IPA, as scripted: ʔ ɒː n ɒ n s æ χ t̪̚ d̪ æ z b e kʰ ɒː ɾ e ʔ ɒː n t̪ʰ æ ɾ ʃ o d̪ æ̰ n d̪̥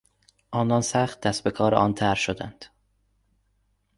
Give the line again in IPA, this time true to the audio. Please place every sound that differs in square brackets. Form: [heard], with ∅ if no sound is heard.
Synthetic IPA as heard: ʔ ɒː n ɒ n s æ χ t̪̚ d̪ æ [s] b e kʰ ɒː ɾ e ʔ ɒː n t̪ʰ æ ɾ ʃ o d̪ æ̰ n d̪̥